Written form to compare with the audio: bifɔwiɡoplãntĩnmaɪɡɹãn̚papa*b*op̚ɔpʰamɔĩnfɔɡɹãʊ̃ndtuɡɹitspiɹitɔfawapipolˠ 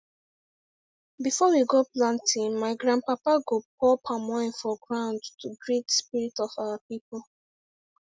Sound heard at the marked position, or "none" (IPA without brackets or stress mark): ɡ